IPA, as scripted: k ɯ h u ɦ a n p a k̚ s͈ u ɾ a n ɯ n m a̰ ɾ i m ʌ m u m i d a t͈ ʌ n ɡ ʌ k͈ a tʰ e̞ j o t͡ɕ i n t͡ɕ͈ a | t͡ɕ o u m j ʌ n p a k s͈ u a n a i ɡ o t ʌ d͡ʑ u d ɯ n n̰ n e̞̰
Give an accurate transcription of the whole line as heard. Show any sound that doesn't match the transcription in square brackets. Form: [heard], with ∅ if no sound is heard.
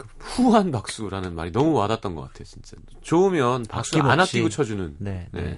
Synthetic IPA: k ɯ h u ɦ a n p a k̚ s͈ u ɾ a n ɯ n m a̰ ɾ i [n] ʌ m u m [a] d a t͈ ʌ n ɡ ʌ k͈ a tʰ e̞ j o t͡ɕ i n t͡ɕ͈ a | t͡ɕ o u m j ʌ n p a k s͈ u a n a i ɡ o [t͡ɕʰ] ʌ d͡ʑ u [n] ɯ n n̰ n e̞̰